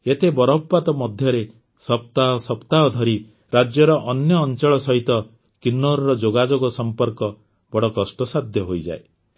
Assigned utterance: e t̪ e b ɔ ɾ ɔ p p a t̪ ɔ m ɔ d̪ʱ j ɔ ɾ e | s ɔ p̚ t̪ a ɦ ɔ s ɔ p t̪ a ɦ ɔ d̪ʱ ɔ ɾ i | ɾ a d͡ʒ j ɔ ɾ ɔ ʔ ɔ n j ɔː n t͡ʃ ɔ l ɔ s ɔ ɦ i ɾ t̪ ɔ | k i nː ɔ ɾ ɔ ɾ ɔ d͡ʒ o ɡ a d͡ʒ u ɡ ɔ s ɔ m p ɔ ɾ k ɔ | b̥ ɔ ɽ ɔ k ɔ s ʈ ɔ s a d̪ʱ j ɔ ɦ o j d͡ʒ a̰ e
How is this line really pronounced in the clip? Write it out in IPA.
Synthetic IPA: e t̪ e b ɔ ɾ ɔ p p a t̪ ɔ m ɔ d̪ʱ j ɔ ɾ e | s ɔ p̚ t̪ a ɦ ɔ s ɔ p t̪ a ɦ ɔ d̪ʱ ɔ ɾ i | ɾ a d͡ʒ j ɔ ɾ ɔ ʔ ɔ n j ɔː n t͡ʃ ɔ ɭ ɔ s ɔ ɦ i t̪ ɔ | k i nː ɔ ɾ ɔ ɾ ɔ d͡ʒ o ɡ a d͡ʒ o ɡ ɔ s ɔ m p ɔ ɾ k ɔ | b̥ ɔ ɽ ɔ k ɔ s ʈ ɔ s a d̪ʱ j ɔ ɦ o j d͡ʒ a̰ e